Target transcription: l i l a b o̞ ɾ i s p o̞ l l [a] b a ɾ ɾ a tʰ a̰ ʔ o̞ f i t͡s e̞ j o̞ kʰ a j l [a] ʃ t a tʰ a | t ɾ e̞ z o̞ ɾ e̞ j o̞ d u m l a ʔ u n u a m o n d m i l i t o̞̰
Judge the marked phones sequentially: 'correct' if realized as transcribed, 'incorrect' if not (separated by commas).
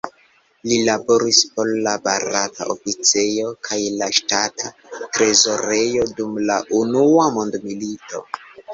correct, correct